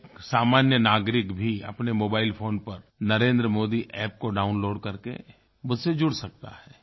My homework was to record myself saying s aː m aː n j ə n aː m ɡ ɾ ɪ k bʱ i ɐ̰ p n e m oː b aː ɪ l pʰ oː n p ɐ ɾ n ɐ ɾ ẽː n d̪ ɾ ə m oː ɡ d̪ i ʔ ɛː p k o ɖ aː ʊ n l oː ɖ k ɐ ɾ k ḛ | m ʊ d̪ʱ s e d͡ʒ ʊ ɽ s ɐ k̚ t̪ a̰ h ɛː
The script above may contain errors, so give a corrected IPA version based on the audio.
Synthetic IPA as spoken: s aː m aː n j ə n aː ɡ ɾ ɪ k bʱ i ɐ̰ p n e m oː b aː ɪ l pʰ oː n p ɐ ɾ n ɐ ɾ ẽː n d̪ ɾ ə m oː d̪ i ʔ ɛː p k o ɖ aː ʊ n l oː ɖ k ɐ ɾ k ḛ | m ʊ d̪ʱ s e d͡ʒ ʊ ɽ s ɐ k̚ t̪ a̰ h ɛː